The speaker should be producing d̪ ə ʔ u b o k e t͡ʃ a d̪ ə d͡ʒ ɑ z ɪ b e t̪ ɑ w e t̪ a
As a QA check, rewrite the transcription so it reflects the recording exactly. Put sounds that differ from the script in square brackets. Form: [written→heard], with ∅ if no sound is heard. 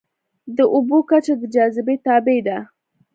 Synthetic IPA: d̪ ə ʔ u b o k [e→a] t͡ʃ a d̪ ə d͡ʒ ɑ z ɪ b e t̪ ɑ [w→b] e [t̪→d̪] a